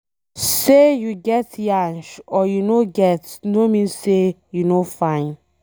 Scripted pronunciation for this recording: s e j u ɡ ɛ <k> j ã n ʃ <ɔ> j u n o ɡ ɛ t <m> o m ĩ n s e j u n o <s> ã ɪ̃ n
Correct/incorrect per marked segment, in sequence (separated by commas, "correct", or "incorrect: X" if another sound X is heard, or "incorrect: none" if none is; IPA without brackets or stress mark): incorrect: t, correct, incorrect: n, incorrect: f